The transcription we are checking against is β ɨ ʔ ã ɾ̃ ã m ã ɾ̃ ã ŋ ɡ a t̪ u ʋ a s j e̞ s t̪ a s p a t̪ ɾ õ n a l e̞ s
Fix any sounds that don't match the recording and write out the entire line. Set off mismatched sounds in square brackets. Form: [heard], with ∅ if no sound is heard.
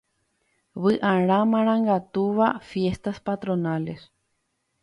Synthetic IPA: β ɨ ʔ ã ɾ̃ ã m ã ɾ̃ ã ŋ ɡ a t̪ u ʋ a [f] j e̞ s t̪ a s p a t̪ ɾ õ n a l e̞ s